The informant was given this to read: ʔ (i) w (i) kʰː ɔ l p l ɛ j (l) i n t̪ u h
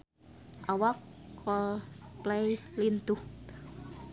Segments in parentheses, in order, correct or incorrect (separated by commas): incorrect, incorrect, correct